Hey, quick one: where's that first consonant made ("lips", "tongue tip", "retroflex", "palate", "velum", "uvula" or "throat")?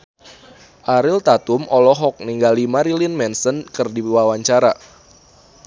throat